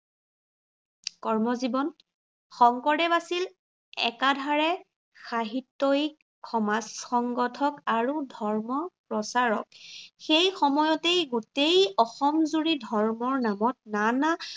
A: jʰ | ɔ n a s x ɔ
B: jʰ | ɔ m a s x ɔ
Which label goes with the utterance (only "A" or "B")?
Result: B